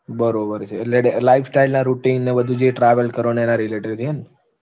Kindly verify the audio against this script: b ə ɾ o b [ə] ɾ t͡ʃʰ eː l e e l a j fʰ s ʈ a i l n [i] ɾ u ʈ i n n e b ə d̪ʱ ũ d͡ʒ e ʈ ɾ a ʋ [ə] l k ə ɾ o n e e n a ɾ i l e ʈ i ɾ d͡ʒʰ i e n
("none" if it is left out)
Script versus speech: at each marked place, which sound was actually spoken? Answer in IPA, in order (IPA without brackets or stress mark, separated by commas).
ə, a, ə